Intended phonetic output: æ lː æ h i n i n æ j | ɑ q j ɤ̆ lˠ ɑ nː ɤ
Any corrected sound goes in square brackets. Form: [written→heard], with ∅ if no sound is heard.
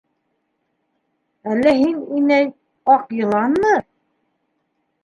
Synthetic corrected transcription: æ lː æ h i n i n æ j | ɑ q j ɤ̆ lˠ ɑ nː ɤ